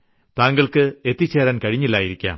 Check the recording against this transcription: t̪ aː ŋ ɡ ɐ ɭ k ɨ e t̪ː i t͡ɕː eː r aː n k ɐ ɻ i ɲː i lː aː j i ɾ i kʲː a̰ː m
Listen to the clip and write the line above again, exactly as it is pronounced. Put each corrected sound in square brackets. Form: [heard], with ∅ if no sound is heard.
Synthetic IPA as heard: t̪ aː ŋ ɡ ɐ ɭ k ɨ e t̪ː i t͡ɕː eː [ɾ] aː n k ɐ ɻ i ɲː i lː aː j i ɾ i kʲː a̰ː m